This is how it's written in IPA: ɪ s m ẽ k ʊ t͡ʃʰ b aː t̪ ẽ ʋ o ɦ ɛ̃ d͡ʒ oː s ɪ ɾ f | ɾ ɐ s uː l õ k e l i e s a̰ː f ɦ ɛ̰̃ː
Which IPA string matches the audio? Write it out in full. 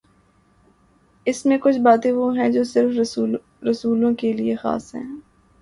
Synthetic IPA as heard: ɪ s m ẽ k ʊ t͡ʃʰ b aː t̪ ẽ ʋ o ɦ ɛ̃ d͡ʒ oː s ɪ ɾ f | ɾ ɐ s uː l õ k e l i e x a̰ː s ɦ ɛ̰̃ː